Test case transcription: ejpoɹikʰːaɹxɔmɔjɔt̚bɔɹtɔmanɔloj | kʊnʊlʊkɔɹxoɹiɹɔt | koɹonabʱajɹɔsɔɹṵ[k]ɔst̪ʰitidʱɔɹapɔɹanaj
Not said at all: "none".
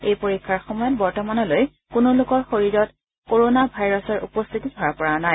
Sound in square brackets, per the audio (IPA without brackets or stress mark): p